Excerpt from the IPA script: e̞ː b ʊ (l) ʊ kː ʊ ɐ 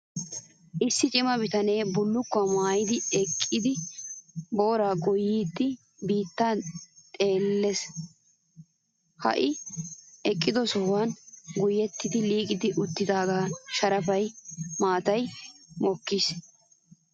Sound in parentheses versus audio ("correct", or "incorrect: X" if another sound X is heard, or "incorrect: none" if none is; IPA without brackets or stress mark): incorrect: lː